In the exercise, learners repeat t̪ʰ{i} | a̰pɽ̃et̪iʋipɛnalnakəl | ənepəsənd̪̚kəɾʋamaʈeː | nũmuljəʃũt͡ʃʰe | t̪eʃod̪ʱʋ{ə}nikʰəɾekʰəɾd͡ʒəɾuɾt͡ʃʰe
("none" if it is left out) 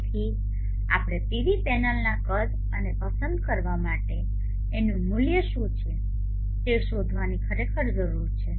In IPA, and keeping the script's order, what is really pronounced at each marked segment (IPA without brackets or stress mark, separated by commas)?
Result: i, a